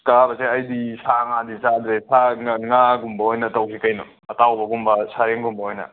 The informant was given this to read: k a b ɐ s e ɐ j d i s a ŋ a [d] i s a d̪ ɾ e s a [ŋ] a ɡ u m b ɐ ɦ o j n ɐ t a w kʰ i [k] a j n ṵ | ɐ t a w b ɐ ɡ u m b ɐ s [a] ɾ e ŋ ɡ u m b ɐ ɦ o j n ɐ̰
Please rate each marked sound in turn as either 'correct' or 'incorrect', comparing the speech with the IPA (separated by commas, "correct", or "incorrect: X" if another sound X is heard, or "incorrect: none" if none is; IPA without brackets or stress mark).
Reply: correct, correct, correct, correct